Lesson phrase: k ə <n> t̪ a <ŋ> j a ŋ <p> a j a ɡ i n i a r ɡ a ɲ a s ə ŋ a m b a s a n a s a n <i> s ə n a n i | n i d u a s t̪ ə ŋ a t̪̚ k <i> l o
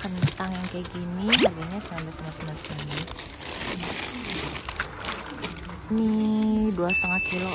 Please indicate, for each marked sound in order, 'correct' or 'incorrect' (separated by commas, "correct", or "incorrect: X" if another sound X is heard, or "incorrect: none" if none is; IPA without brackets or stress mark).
correct, correct, incorrect: k, incorrect: a, correct